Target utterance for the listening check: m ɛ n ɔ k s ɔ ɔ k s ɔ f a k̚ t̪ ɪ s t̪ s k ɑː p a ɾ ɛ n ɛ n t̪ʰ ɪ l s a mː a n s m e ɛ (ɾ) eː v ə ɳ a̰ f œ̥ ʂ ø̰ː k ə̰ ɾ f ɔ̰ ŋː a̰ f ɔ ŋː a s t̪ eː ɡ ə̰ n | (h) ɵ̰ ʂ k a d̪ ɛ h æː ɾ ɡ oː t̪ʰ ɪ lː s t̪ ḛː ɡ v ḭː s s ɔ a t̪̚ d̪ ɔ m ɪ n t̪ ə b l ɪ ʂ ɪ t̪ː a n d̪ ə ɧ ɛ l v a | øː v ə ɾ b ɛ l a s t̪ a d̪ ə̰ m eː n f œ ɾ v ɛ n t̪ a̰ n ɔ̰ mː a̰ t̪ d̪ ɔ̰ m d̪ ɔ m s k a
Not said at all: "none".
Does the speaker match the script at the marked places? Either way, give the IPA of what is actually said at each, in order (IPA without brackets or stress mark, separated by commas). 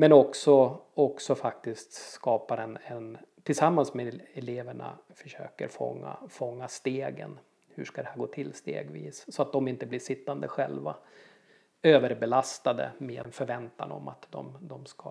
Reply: l, h